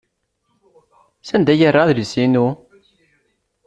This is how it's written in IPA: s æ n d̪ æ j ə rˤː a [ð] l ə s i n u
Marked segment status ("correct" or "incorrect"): correct